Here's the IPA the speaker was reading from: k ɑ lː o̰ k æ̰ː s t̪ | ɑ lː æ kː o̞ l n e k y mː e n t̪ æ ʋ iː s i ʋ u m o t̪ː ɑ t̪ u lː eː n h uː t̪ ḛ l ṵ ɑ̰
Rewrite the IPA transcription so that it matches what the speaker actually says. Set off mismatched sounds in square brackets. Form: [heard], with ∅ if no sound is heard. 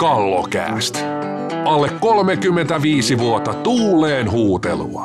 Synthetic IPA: k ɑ lː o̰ k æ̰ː s t̪ | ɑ lː [e] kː o̞ l [m] e k y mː e n t̪ æ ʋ iː s i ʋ u [∅] o t̪ː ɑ t̪ [uː] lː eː n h uː t̪ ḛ l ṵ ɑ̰